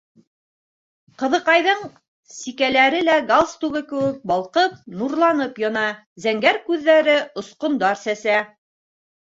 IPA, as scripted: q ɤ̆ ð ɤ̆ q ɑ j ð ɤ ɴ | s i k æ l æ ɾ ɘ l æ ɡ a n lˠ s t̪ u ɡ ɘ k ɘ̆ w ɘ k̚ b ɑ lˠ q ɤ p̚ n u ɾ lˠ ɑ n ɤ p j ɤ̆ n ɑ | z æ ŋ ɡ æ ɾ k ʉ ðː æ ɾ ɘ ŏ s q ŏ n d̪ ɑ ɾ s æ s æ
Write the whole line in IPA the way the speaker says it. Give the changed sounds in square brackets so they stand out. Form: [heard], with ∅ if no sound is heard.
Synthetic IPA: q ɤ̆ ð ɤ̆ q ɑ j ð ɤ ɴ | s i k æ l æ ɾ ɘ l æ ɡ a [∅] lˠ s t̪ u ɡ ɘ k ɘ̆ w ɘ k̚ b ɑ lˠ q ɤ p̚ n u ɾ lˠ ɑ n ɤ p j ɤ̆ n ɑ | z æ ŋ ɡ æ ɾ k ʉ ðː æ ɾ ɘ ŏ s q ŏ n d̪ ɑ ɾ s æ s æ